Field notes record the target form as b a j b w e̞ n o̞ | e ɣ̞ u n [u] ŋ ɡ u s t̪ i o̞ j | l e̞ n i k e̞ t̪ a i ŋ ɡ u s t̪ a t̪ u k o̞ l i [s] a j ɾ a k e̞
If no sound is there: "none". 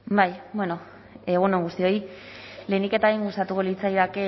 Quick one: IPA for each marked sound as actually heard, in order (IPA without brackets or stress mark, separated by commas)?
o, t͡s